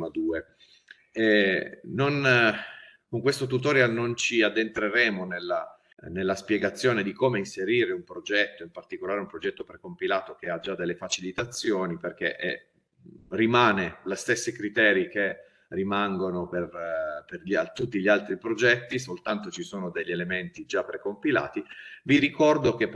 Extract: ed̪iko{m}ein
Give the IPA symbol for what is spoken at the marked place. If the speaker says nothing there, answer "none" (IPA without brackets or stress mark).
m